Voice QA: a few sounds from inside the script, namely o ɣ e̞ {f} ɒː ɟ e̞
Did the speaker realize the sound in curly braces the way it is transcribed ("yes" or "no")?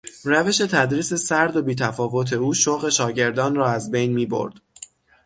no